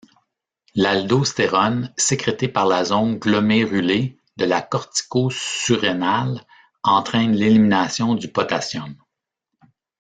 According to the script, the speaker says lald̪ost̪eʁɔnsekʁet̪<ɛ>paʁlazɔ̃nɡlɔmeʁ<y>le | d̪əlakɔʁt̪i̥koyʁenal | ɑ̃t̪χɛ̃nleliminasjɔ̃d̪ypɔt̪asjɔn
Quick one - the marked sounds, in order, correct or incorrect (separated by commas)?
incorrect, correct